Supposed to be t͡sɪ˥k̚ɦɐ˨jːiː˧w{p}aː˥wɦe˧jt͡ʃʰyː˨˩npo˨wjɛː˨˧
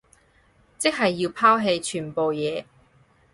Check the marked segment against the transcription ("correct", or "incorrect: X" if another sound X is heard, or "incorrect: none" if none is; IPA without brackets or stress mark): incorrect: pʰ